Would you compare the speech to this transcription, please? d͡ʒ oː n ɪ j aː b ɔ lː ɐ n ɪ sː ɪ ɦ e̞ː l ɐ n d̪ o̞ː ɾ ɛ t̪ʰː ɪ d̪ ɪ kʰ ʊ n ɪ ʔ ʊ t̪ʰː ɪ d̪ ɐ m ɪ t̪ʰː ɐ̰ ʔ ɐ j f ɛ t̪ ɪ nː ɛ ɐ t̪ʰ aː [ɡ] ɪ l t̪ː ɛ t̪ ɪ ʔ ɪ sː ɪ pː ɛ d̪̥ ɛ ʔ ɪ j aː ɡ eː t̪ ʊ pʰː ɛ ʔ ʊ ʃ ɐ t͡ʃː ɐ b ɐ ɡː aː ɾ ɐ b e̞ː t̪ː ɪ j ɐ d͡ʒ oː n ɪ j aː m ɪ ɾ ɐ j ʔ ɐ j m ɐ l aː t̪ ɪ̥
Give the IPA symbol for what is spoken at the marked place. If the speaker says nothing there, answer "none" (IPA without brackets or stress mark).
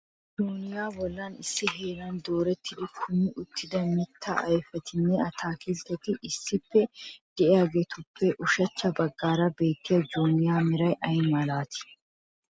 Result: k